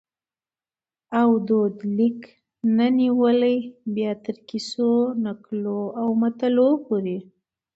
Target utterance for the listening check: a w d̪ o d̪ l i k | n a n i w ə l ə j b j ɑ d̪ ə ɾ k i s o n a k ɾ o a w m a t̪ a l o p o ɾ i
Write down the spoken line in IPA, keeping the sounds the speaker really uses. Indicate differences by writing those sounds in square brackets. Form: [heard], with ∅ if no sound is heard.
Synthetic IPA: a w d̪ o d̪ l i k | n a n i w ə l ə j b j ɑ [t̪] ə ɾ k i s o n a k [l] o a w m a t̪ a l o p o ɾ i